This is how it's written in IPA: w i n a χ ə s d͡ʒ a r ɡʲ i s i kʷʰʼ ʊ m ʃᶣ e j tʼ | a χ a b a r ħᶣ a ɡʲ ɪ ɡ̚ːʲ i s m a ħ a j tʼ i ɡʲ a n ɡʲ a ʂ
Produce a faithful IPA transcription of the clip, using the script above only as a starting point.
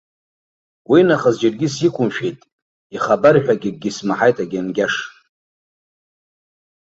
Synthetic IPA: w i n a χ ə z d͡ʒ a r ɡʲ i s i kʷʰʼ ʊ m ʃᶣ e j tʼ | i χ a b a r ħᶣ a ɡʲ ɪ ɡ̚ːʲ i s m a ħ a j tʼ a ɡʲ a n ɡʲ a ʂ